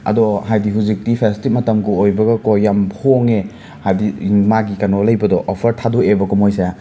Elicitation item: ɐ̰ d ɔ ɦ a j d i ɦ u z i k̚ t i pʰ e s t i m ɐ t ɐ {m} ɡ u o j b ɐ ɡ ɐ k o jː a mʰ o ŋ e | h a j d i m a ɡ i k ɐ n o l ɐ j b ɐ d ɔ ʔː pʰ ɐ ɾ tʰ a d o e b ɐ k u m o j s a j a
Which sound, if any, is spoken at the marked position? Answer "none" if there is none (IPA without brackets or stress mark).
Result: m